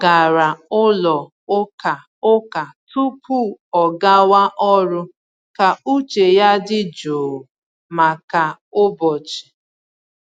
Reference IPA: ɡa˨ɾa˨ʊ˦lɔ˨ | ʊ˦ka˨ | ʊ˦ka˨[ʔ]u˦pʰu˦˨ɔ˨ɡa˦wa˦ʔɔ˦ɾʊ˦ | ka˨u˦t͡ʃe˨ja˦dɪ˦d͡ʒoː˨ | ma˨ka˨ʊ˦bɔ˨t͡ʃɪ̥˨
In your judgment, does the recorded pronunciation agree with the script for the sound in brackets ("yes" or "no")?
no